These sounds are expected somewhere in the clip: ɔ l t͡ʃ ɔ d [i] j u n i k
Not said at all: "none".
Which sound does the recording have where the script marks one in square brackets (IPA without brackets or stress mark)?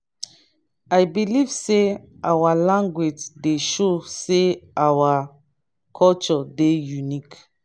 e